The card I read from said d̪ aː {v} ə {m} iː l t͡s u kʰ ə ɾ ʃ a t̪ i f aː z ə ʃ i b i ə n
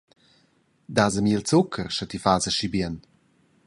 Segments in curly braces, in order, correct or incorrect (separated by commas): incorrect, correct